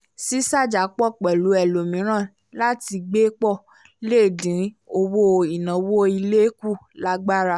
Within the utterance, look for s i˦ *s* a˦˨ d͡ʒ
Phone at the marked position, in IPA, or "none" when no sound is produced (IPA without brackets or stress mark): s